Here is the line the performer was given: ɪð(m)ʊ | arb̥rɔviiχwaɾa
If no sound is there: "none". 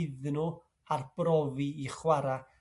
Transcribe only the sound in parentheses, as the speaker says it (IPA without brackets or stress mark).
n